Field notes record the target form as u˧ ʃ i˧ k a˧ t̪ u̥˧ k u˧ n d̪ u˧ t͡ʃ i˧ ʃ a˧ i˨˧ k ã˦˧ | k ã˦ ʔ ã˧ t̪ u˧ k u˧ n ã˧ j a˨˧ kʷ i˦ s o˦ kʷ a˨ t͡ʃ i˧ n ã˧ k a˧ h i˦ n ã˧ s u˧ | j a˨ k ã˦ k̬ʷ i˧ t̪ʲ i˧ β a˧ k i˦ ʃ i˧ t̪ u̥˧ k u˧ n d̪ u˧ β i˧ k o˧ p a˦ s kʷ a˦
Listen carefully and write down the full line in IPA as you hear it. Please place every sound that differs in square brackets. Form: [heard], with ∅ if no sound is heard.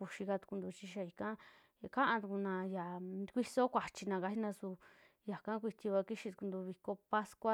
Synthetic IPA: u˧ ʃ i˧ k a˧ t̪ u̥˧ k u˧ n d̪ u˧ t͡ʃ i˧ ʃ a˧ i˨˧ k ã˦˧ | k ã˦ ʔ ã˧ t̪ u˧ k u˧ n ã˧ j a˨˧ kʷ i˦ s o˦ kʷ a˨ t͡ʃ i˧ n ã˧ k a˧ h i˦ n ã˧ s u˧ | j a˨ k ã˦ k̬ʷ i˧ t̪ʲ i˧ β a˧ k i˦ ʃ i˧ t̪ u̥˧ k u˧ n d̪ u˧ β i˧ k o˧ p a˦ s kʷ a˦